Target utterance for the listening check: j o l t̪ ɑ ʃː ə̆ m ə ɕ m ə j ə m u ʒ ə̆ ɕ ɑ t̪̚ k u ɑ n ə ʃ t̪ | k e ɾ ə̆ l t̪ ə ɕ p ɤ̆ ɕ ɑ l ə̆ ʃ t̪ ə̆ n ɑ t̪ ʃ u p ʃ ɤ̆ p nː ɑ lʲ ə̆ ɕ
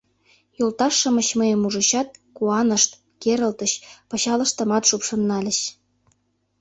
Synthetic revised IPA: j o l t̪ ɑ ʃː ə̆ m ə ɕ m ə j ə m u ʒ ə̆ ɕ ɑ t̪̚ k u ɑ n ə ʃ t̪ | k e ɾ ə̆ l t̪ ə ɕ p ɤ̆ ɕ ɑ l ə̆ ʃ t̪ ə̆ m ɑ t̪ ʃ u p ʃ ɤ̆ nː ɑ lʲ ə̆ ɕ